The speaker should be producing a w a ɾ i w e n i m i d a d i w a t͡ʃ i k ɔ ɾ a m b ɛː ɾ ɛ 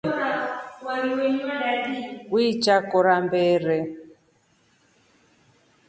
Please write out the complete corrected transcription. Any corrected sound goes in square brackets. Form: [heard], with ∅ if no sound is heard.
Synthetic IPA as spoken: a w a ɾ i w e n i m [a] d a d i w [i] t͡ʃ [a] k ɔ ɾ a m b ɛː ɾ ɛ